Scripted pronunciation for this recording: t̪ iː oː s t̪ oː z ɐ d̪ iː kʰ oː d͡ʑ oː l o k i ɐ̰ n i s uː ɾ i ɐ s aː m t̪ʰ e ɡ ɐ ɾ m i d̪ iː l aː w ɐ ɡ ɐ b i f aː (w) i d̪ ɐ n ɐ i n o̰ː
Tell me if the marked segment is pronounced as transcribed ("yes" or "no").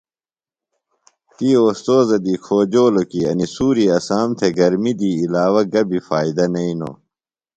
no